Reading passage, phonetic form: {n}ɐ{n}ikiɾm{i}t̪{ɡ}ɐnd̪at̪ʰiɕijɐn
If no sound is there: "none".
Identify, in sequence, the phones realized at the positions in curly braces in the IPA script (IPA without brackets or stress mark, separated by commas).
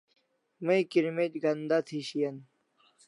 m, none, e, ɡ